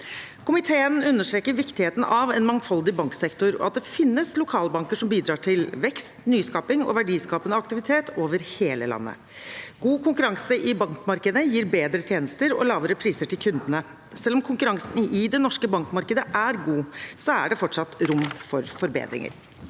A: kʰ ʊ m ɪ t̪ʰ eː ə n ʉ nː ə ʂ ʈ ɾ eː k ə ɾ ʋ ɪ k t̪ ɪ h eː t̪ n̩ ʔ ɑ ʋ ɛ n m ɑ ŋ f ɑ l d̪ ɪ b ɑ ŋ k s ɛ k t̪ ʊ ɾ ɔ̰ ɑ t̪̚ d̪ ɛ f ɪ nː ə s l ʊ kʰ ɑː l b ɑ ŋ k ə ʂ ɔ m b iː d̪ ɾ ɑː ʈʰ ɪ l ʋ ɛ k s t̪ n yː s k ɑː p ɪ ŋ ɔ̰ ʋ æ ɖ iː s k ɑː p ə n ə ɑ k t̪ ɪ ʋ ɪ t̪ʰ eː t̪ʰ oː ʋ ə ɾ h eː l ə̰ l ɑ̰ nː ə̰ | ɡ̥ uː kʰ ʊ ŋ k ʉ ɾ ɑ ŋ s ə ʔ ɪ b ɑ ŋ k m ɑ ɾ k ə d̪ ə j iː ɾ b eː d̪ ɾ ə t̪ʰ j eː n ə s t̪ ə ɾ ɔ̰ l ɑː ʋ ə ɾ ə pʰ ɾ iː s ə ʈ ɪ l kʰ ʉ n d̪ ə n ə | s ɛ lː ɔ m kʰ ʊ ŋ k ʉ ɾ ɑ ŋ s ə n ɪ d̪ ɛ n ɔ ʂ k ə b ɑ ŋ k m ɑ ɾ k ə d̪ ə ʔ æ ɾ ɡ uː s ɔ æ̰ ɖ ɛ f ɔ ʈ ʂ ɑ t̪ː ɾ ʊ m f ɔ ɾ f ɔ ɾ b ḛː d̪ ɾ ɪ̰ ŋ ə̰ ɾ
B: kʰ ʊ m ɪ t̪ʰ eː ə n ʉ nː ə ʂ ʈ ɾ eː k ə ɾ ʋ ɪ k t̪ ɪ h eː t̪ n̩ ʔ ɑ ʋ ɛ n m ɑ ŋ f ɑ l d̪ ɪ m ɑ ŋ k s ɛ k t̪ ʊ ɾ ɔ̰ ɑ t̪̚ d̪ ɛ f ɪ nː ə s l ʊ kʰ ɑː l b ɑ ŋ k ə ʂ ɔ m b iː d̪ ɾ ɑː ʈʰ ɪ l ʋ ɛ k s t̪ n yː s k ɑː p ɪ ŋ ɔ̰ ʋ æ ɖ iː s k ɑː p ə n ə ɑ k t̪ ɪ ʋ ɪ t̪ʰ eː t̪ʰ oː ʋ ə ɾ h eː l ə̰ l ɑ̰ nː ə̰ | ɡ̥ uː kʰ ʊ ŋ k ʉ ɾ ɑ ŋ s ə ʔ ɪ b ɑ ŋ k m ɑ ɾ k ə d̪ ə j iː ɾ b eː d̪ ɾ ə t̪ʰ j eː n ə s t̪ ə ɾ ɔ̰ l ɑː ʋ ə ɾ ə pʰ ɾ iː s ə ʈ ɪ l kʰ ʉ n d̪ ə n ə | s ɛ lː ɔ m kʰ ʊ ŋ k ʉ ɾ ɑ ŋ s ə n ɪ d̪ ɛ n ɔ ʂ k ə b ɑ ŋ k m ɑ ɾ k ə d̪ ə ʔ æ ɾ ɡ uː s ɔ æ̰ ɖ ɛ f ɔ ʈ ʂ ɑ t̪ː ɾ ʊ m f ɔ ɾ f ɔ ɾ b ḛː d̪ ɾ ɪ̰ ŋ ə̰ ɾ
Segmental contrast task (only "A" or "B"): A